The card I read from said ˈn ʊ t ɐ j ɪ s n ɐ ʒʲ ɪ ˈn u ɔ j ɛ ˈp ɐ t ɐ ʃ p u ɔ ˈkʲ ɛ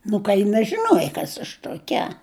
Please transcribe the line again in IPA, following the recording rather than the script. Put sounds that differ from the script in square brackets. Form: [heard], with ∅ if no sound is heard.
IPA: ˈn ʊ [k] ɐ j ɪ [∅] n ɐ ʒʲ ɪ ˈn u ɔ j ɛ [ˈk] ɐ [s] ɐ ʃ [t] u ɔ ˈkʲ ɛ